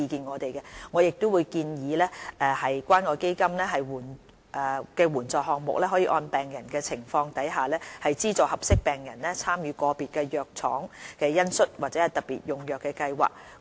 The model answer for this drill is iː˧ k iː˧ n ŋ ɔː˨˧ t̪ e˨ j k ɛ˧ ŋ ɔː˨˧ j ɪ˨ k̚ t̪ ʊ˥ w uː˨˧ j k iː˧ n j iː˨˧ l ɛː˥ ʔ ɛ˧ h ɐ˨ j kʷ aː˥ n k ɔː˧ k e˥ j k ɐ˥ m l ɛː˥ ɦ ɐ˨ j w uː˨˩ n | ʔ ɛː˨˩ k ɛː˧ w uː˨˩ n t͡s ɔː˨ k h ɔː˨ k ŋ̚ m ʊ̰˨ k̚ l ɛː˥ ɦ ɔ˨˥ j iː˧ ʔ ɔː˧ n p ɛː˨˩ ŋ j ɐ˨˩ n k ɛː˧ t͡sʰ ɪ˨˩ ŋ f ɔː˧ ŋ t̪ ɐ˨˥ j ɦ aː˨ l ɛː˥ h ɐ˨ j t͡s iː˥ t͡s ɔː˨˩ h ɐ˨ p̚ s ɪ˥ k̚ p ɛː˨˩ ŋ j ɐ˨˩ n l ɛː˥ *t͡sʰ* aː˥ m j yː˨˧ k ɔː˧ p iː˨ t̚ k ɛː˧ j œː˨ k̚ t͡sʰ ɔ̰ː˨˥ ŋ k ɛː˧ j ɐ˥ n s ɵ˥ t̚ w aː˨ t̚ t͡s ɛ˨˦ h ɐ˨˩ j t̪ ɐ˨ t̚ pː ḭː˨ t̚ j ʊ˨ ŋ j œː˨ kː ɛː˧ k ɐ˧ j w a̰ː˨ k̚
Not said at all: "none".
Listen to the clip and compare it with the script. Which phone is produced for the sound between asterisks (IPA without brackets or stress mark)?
t͡sʰ